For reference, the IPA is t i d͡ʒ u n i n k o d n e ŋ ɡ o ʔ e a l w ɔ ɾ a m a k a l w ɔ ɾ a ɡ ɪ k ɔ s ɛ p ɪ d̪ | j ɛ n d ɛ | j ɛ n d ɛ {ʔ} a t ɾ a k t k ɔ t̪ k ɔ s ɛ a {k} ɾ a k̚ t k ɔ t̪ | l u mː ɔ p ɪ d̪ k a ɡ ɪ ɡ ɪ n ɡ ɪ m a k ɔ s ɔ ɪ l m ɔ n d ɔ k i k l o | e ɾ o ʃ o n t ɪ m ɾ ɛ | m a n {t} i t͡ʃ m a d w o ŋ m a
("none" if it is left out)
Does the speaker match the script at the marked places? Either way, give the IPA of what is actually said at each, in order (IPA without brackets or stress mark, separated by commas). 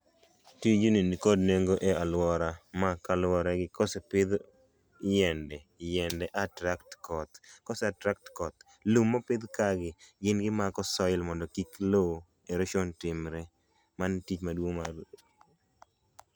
ʔ, t, t